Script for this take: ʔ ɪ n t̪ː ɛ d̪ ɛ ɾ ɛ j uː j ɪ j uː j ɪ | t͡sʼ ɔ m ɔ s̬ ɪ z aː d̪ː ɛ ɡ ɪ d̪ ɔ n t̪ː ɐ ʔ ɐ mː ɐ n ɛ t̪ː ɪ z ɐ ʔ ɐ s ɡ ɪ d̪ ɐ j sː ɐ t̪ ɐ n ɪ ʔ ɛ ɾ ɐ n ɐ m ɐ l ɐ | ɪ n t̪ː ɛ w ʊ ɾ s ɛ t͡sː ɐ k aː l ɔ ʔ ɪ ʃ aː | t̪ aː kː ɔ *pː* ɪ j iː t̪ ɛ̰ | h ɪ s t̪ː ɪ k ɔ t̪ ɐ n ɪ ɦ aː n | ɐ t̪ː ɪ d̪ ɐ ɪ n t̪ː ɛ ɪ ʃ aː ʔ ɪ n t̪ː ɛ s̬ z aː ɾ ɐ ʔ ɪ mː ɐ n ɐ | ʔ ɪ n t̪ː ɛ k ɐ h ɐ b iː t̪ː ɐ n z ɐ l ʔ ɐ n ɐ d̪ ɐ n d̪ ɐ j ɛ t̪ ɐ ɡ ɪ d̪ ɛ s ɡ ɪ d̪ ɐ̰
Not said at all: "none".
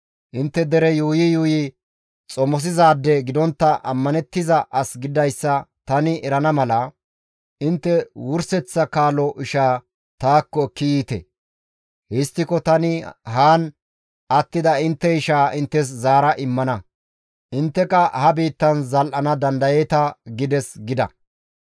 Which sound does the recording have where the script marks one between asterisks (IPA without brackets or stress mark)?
kː